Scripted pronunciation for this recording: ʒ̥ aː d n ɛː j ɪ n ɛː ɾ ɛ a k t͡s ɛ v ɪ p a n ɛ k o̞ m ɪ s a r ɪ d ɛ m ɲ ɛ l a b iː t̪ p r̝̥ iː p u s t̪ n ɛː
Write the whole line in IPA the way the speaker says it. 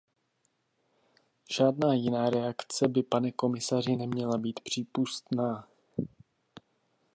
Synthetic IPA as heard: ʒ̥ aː d n aː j ɪ n aː ɾ ɛ a k t͡s ɛ b ɪ p a n ɛ k o̞ m ɪ s a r ɪ n ɛ m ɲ ɛ l a b iː t̪ p r̝̥ iː p u s t̪ n aː